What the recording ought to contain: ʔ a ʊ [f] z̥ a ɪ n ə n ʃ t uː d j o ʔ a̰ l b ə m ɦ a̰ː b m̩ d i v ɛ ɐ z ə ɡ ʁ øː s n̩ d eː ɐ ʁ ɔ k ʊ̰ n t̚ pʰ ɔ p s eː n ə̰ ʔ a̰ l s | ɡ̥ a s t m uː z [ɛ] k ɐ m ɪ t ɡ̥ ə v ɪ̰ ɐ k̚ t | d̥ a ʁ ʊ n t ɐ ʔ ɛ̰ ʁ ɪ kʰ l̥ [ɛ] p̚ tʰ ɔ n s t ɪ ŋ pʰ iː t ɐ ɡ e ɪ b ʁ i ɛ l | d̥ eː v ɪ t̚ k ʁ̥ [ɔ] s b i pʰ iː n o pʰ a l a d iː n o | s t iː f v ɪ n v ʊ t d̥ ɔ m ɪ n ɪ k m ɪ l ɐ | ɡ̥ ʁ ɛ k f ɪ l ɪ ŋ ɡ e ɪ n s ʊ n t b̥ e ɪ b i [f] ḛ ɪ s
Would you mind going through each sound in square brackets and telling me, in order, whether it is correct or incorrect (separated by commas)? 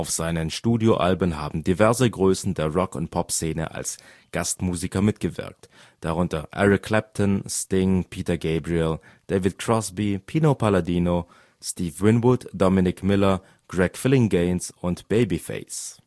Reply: correct, incorrect, correct, correct, correct